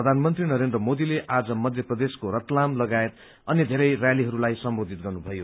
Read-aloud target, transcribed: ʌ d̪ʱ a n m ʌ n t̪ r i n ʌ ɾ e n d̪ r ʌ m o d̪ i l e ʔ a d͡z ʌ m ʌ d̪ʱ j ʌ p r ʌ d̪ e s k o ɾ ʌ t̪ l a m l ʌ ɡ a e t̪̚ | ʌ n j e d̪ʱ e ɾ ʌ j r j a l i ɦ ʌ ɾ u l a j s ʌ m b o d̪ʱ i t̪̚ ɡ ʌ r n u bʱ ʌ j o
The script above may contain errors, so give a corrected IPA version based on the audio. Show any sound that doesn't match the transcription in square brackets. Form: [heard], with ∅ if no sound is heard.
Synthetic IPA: ʌ d̪ʱ a n m ʌ n t̪ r i n ʌ ɾ e n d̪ r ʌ m o d̪ i l e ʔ a d͡z ʌ m ʌ d̪ʱ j ʌ p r ʌ d̪ e s k o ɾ ʌ t̪ l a m l ʌ ɡ a e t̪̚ | ʌ n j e d̪ʱ e ɾ ʌ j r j a l i ɦ ʌ ɾ u l a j s ʌ m b o d̪ʱ i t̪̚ ɡ ʌ r n u bʱ ʌ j o